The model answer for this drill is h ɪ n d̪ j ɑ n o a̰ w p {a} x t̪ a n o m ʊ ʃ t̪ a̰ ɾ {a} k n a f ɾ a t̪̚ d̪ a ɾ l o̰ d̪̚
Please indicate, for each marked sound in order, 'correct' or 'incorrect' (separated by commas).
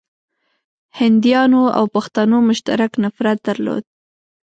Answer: correct, correct